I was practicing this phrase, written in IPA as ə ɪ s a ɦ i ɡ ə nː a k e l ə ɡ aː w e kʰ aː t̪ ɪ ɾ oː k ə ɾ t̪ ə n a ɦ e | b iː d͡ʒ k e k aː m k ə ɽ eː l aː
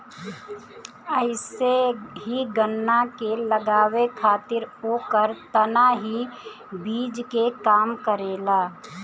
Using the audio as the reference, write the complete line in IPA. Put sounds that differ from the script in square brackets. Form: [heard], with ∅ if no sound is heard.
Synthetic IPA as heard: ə ɪ s [e] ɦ i ɡ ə nː a k e l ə ɡ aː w e kʰ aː t̪ ɪ ɾ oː k ə ɾ t̪ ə n a ɦ [i] | b iː d͡ʒ k e k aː m k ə [ɾ] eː l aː

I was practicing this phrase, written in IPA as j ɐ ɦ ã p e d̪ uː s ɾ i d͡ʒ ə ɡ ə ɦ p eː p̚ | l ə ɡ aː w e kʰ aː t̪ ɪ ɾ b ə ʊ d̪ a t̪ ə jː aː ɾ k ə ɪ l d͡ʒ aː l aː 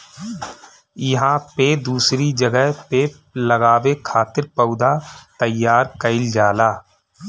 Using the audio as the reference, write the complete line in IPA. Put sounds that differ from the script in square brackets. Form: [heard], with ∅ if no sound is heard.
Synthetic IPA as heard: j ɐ ɦ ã p e d̪ uː s ɾ i d͡ʒ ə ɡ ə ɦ p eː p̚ | l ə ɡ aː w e kʰ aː t̪ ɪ ɾ [p] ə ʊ d̪ a t̪ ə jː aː ɾ k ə ɪ l d͡ʒ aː l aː

